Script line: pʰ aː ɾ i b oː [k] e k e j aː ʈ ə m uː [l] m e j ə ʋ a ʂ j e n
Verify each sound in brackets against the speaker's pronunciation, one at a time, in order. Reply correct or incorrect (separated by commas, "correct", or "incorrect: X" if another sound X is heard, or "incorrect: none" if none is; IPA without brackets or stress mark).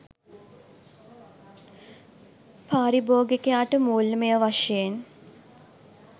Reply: incorrect: ɡ, correct